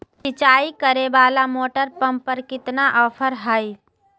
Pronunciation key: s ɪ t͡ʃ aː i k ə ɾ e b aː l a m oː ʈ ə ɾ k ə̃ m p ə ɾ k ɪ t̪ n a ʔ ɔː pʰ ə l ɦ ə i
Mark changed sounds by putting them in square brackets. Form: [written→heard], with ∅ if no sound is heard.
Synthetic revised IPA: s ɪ t͡ʃ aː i k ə ɾ e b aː l a m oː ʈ ə ɾ [k→p] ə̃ m p ə ɾ k ɪ t̪ n a ʔ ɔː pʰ ə [l→ɾ] ɦ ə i